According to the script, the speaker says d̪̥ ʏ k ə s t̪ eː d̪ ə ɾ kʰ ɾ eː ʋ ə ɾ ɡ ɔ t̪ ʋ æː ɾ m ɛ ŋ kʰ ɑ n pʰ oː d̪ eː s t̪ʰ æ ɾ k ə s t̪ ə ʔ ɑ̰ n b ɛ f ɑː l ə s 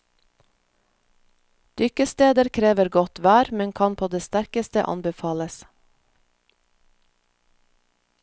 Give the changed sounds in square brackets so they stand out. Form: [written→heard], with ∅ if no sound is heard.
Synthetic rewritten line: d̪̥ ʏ k ə s t̪ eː d̪ ə ɾ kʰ ɾ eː ʋ ə ɾ ɡ ɔ t̪ ʋ æː ɾ m ɛ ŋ kʰ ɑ n pʰ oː d̪ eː s [t̪ʰ→t̪] æ ɾ k ə s t̪ ə ʔ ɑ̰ n b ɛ f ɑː l ə s